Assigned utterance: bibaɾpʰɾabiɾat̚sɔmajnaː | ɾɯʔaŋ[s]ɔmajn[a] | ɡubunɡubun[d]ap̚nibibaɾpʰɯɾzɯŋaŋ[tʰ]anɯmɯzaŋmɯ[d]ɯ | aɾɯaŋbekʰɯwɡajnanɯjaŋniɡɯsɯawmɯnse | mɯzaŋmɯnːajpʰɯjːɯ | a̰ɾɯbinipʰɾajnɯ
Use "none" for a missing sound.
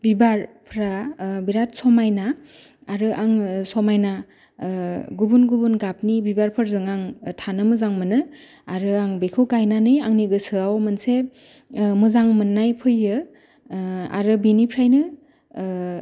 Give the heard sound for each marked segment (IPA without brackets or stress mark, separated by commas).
s, a, ɡ, tʰ, n